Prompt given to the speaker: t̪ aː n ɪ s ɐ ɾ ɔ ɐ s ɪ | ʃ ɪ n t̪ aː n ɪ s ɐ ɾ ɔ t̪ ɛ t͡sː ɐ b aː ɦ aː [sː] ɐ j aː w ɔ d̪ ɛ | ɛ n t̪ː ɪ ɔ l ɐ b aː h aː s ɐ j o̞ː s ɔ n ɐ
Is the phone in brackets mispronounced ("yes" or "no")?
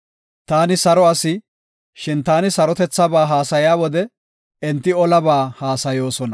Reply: yes